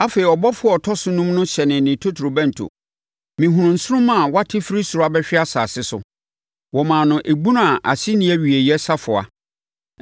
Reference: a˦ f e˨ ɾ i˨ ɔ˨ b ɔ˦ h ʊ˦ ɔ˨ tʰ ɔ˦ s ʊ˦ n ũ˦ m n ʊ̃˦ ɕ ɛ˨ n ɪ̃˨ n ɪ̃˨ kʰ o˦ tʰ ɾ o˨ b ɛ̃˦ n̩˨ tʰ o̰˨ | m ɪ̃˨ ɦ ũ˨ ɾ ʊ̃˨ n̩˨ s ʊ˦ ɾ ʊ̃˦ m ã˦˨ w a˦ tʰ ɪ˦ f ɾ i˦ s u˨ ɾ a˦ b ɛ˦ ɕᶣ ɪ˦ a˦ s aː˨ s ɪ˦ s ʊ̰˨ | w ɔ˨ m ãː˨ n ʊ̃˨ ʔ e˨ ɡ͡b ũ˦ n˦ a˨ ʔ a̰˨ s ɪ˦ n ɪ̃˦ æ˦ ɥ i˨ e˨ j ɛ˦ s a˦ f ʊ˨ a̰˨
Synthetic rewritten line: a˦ f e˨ ɾ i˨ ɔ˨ b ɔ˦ f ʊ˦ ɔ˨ tʰ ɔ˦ s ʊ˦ n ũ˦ m n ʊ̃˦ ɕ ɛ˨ n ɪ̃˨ n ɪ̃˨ tʰ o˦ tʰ ɾ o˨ b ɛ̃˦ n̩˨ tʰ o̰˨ | m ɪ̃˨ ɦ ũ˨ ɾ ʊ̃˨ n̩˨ s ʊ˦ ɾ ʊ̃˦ m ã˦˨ w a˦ tʰ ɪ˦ f ɾ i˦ s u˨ ɾ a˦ b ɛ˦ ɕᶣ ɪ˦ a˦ s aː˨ s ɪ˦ s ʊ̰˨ | w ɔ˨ m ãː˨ n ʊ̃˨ ʔ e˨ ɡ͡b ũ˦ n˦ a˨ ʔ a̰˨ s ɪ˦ n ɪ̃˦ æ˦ ɥ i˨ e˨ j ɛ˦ s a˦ f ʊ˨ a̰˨